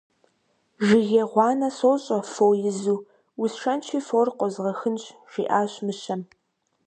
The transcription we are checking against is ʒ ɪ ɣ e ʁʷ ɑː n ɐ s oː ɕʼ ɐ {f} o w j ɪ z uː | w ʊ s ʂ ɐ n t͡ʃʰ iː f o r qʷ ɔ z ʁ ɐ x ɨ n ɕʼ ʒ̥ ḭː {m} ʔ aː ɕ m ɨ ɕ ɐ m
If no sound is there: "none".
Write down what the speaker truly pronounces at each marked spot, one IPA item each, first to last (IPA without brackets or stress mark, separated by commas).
f, none